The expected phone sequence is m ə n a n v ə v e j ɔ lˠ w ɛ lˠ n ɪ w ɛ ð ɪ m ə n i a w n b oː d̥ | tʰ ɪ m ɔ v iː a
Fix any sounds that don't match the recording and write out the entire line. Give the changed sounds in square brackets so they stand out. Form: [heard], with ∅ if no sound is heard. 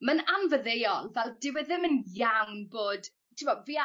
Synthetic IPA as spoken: m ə n a n v ə [ð] e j ɔ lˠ [v] ɛ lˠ [d] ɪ w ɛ ð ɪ m ə n [j] a w n b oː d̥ | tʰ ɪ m ɔ v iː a